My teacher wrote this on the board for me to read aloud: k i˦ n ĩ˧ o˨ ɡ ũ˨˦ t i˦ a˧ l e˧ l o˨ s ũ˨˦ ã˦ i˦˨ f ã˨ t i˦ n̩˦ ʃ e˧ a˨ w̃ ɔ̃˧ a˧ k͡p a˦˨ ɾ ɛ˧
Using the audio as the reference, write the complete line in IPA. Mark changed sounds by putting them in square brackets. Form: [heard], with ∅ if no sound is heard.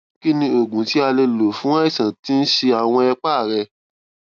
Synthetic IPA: k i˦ n ĩ˧ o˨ ɡ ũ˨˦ t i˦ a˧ l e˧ l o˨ [f] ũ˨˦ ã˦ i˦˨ [s] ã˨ t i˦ n̩˦ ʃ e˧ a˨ w̃ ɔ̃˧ [ɛ˧] k͡p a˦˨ ɾ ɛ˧